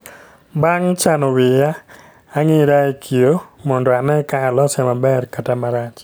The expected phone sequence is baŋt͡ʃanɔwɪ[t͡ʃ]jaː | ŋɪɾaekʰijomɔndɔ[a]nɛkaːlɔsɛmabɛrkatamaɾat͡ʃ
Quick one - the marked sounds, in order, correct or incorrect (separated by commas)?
incorrect, correct